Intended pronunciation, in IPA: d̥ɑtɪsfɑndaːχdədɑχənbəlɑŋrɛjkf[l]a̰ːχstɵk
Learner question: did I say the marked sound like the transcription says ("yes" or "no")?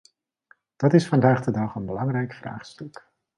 no